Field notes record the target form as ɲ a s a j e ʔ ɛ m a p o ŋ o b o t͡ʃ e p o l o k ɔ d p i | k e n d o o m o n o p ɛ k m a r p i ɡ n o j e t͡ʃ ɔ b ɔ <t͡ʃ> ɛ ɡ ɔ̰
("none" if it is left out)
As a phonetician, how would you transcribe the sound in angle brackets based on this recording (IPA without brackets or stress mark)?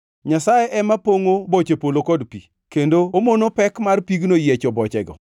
t͡ʃ